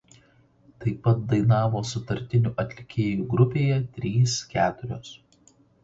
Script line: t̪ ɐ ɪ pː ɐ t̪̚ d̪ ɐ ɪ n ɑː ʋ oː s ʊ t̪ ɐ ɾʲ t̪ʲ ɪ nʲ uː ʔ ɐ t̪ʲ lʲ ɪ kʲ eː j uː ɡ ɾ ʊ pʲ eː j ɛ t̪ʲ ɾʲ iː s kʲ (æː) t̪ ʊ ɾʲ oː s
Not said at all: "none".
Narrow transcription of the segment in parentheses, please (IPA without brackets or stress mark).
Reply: æː